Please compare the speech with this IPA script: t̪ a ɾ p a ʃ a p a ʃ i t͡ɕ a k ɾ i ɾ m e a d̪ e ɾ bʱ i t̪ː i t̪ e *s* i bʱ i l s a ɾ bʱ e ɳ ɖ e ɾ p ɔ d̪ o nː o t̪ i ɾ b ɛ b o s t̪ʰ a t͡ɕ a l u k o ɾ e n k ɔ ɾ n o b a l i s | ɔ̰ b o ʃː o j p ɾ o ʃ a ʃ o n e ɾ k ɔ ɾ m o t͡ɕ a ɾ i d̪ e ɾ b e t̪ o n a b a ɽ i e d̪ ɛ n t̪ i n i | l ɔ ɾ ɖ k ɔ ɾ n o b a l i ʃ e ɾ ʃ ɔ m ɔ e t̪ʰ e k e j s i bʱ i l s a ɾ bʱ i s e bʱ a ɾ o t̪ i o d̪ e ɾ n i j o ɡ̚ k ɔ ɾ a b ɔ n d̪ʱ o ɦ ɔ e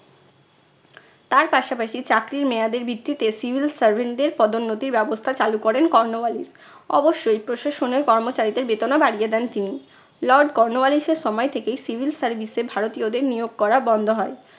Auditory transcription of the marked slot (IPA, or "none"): s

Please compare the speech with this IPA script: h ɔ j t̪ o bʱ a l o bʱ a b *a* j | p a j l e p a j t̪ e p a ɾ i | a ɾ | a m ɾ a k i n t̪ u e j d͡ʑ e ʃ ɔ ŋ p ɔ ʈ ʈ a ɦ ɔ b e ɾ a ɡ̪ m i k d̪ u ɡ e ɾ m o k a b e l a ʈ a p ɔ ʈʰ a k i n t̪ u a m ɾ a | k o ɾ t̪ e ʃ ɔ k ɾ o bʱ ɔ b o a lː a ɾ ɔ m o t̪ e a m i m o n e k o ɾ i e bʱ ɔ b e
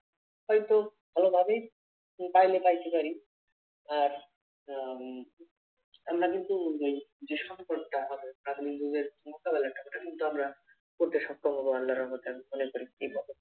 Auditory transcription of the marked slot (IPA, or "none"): e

